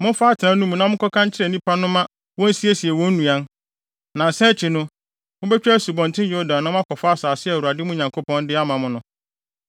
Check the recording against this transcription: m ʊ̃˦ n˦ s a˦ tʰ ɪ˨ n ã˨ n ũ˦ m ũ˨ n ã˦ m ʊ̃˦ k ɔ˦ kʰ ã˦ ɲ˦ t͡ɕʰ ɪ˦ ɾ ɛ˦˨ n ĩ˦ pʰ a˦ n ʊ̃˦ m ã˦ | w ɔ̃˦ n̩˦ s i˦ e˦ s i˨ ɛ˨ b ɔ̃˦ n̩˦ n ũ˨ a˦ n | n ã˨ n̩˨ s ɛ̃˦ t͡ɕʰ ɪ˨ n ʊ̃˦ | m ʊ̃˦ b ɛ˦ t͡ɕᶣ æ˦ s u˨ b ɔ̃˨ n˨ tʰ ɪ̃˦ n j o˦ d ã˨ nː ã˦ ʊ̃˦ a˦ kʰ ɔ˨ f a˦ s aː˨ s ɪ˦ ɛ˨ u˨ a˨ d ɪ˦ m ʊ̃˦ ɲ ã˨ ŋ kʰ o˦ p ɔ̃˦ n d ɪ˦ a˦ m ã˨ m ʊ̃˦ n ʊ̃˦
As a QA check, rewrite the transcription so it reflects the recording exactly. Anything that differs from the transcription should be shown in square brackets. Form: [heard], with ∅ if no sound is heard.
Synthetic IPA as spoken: m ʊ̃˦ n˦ [f] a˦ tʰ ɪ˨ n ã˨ n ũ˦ m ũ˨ n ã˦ m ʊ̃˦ k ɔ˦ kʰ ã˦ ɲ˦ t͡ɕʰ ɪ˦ ɾ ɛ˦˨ n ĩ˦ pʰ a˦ n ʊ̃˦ m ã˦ | w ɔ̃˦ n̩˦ s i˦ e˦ s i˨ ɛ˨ [w] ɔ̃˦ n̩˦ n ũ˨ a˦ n | n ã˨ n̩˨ s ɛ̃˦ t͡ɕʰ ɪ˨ n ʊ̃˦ | m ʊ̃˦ b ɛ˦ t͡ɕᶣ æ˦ s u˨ b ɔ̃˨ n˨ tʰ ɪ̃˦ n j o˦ d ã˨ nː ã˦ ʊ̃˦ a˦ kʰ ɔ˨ f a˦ s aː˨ s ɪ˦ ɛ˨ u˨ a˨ d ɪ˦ m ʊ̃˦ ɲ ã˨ ŋ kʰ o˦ p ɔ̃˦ n d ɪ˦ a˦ m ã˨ m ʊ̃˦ n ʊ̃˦

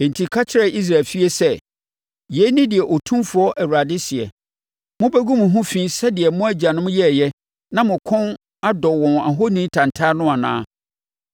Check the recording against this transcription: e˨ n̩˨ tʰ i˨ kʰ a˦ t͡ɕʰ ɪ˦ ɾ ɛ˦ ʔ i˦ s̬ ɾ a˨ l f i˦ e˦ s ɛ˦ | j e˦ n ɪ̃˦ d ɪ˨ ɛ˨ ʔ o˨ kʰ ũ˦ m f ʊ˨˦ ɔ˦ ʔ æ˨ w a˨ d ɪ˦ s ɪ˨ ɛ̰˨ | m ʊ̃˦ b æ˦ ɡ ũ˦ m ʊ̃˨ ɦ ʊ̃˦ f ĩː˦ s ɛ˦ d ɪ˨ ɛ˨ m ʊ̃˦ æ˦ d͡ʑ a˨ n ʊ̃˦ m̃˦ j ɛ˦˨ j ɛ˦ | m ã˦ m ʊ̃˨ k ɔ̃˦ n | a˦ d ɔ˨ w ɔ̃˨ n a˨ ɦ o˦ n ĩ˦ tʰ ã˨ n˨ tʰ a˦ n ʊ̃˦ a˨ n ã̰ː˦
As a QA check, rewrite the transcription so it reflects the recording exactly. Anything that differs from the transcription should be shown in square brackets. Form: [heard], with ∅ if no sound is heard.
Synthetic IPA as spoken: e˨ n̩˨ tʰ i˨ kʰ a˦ t͡ɕʰ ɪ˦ ɾ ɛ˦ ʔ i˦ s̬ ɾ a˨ l f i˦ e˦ s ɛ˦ | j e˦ n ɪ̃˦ d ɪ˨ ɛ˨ ʔ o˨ [tʰ] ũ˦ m f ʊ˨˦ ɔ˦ ʔ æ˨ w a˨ d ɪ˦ s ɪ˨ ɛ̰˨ | m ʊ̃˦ b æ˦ ɡ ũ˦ m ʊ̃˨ ɦ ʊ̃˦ f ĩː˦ s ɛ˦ d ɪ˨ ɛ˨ m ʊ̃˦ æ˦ d͡ʑ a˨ n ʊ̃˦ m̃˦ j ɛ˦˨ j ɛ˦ | [n] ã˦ m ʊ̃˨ [kʰ] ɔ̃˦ n | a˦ d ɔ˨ w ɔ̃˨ n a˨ ɦ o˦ n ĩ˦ tʰ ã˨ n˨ tʰ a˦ n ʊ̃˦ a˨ n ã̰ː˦

